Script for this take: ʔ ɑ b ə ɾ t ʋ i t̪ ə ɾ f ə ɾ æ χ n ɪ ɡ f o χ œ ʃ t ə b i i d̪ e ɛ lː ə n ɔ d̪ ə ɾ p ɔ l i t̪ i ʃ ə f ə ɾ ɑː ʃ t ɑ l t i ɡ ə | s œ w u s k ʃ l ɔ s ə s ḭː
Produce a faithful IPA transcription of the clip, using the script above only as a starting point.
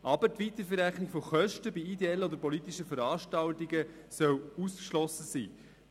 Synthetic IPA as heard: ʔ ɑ b ə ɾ t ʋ i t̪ ə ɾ f ə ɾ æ χ n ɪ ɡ f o χ œ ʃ t ə b i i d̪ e ɛ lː ə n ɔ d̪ ə ɾ p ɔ l i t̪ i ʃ ə f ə ɾ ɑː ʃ t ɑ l t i ɡ ə | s œ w u s k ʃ l ɔ s ə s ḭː

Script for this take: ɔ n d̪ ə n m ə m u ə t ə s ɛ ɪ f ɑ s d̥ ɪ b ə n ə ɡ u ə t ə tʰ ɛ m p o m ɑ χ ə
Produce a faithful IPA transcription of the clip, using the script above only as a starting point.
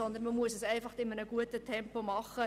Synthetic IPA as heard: ɔ n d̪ ə n m ə m u ə s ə s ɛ ɪ f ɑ χ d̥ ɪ m ə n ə ɡ u ə t ə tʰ ɛ m p o m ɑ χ ə

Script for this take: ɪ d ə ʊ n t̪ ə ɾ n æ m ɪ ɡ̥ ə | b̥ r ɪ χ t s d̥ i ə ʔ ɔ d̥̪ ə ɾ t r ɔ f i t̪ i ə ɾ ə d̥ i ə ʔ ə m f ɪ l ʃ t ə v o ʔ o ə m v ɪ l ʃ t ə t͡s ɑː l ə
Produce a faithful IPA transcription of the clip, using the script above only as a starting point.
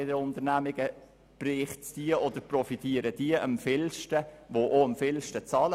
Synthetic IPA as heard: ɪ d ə ʊ n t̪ ə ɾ n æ m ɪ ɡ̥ ə | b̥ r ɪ χ t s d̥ i ə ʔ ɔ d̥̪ ə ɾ p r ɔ f i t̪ i ə ɾ ə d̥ i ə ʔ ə m f ɪ l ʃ t ə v o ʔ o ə m f ɪ l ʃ t ə t͡s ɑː l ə

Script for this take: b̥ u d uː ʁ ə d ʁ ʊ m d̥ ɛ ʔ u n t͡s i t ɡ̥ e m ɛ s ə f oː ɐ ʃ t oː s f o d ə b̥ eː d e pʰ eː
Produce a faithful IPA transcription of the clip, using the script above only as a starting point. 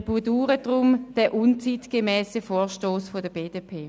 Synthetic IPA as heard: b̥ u d uː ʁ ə d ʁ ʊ m d̥ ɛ ʔ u n t͡s i t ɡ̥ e m ɛː s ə f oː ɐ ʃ t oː s f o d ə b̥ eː d e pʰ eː

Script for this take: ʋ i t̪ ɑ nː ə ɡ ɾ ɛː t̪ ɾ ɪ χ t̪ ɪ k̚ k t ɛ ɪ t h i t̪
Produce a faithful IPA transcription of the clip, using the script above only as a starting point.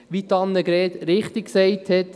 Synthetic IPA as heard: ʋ i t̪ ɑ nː ə ɡ ɾ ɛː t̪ ɾ ɪ χ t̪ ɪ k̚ k s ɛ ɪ t h ɛ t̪

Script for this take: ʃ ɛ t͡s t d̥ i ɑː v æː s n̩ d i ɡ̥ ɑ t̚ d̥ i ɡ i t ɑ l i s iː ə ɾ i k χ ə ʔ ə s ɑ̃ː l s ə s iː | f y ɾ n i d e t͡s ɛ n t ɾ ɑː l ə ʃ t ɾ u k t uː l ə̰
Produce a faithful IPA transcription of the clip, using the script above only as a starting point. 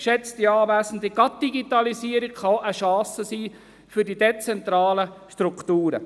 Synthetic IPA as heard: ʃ ɛ t͡s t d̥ i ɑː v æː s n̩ d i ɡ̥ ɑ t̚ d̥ i ɡ i t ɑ l i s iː ə ɾ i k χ ɑ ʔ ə ʃ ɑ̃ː s ə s iː | f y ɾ d i d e t͡s ɛ n t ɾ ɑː l ə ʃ t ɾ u k t uː ɾ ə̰

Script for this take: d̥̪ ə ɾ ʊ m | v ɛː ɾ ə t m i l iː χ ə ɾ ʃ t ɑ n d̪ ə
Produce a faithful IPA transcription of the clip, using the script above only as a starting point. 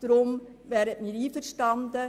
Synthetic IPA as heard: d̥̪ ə ɾ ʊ m | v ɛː ɾ ə t m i ɾ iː f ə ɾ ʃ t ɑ n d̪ ə

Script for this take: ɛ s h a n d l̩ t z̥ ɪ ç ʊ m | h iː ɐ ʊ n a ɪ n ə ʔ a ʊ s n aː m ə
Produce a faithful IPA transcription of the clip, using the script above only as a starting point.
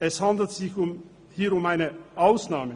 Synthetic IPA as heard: ɛ s h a n d l̩ t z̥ ɪ ç ʊ m | h iː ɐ ʊ m a ɪ n ə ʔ a ʊ s n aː m ə

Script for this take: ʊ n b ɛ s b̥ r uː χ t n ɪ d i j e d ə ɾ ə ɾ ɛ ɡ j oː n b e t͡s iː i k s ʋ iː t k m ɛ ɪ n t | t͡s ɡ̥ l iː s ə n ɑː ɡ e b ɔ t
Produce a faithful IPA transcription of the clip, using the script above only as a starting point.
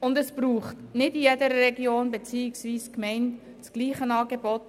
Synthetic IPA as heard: ʊ n d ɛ s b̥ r uː χ t n ɪ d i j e d ə ɾ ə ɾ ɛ ɡ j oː n b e t͡s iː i k s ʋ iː s k m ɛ ɪ n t | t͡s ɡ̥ l iː χ ə n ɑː ɡ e b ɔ t

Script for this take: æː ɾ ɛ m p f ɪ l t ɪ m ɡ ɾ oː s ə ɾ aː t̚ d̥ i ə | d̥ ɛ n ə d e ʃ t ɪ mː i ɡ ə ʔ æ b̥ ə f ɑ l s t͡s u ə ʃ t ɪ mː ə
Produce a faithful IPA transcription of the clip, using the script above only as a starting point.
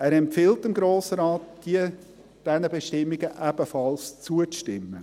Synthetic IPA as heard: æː ɾ ɛ m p f ɪ l t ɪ m ɡ ɾ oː s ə ɾ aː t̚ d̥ i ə | d̥ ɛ n ə b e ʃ t ɪ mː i ɡ ə ʔ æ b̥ ə f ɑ l s t͡s u ə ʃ t ɪ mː ə

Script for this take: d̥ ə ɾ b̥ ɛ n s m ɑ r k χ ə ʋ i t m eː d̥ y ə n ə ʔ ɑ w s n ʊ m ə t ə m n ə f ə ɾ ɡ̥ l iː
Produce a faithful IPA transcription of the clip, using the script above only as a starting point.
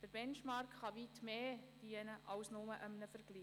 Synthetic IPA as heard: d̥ ə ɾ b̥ ɛ n ʃ m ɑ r k χ ɑ ʋ i t m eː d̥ i ə n ə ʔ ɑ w s n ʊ m ə ʔ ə m n ə f ə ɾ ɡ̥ l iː

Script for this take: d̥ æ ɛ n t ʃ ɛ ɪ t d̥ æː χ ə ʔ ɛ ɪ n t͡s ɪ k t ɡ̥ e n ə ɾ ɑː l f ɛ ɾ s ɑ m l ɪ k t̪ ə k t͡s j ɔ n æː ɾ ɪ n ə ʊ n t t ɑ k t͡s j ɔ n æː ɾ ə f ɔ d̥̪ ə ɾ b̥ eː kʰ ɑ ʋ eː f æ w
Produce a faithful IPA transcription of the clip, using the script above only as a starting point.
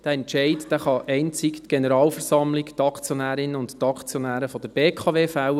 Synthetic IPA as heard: d̥ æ ɛ n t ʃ ɛ ɪ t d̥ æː χ ɑ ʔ ɛ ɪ n t͡s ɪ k t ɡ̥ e n ə ɾ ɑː l f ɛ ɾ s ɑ m l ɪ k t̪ ɑ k t͡s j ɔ n æː ɾ ɪ n ə ʊ n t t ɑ k t͡s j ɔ n æː ɾ ə f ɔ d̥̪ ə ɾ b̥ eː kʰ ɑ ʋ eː f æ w

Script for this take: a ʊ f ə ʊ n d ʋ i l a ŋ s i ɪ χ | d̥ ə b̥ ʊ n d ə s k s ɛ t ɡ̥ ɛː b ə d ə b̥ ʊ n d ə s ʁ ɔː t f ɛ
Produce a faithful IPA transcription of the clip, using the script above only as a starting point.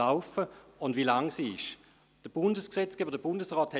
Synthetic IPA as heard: a ʊ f ə ʊ n d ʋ i l a ŋ s i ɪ ʃ | d̥ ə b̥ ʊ n d ə s k s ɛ t͡s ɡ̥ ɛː b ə d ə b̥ ʊ n d ə s ʁ ɔː t h ɛ

